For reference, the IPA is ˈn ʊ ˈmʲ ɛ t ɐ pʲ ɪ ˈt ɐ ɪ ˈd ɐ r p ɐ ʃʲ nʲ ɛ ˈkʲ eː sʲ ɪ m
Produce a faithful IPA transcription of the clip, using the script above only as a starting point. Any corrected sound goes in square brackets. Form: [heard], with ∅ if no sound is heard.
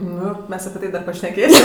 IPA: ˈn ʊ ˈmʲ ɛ [s] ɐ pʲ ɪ ˈt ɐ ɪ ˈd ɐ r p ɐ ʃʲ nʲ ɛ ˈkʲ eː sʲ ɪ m